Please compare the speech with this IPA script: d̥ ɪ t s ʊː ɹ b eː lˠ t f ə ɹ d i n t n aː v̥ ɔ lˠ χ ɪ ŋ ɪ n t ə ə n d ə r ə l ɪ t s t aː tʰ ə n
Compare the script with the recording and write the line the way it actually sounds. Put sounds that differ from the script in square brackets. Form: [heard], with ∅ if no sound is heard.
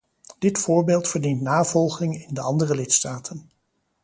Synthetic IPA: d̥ ɪ t [f] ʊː ɹ b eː lˠ t f ə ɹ d i n t n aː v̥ ɔ lˠ χ ɪ ŋ ɪ n [d] ə [ɑ] n d ə r ə l ɪ t s t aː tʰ ə n